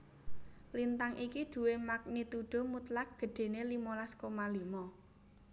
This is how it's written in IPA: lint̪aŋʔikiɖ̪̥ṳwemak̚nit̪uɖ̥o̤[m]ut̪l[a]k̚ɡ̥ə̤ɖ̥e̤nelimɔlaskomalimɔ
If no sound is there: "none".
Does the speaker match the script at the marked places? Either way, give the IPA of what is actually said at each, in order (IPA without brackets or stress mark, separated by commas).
m, a